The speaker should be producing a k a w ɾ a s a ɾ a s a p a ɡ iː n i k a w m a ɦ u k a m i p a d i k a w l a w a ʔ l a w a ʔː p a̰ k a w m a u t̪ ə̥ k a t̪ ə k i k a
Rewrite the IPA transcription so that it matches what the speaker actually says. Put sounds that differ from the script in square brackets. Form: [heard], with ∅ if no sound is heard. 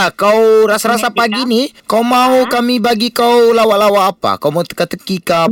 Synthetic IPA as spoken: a k a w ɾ a s a ɾ a s a p a ɡ [i] n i k a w m a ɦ u k a m i [b] a [ɡ] i k a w l a w a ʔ l a w a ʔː p a̰ k a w m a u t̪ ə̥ k a t̪ ə k i k a